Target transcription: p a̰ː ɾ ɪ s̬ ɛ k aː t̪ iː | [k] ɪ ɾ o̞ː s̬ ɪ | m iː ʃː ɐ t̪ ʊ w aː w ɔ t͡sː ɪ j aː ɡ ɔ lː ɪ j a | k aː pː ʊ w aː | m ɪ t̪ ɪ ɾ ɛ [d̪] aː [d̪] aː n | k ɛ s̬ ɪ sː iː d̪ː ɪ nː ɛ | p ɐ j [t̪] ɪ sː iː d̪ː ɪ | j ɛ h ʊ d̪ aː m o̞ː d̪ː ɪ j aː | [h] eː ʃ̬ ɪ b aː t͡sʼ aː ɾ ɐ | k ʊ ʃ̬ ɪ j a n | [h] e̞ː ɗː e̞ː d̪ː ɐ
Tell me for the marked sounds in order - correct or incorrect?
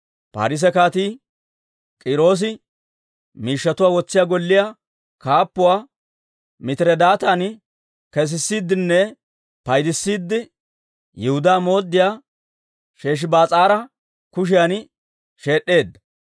incorrect, correct, incorrect, incorrect, incorrect, incorrect

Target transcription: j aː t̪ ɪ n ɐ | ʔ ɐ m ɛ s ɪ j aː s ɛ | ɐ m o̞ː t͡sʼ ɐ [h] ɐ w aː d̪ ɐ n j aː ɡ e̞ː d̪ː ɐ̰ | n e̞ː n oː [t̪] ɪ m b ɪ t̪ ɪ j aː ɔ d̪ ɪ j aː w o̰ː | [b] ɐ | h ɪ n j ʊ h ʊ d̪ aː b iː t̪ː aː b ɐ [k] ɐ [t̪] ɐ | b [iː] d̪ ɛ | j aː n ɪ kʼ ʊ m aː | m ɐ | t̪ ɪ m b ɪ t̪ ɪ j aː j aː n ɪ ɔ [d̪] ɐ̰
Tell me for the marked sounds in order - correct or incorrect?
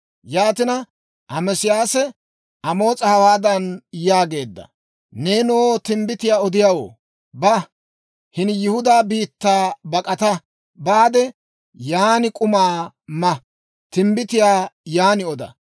correct, correct, correct, incorrect, correct, incorrect, correct

